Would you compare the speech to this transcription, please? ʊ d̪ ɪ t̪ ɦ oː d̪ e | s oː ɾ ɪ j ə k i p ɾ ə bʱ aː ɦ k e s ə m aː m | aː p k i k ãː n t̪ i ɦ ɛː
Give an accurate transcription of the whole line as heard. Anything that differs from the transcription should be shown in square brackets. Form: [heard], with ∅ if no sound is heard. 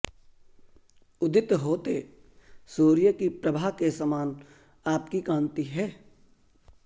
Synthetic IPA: ʊ d̪ ɪ t̪ ɦ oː [t̪] e | s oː ɾ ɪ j ə k i p ɾ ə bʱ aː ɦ k e s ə m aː [n] | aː p k i k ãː n t̪ i ɦ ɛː